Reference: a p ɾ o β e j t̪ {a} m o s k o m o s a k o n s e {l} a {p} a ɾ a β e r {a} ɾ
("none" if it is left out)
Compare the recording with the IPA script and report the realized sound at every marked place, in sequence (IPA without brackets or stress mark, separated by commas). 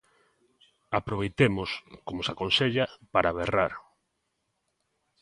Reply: e, ʎ, p, a